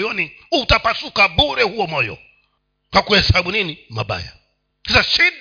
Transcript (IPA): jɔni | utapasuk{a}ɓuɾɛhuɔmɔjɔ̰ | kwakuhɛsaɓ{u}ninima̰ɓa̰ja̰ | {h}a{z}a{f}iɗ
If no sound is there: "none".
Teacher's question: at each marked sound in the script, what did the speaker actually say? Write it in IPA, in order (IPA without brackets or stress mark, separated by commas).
a, u, s, s, ʃ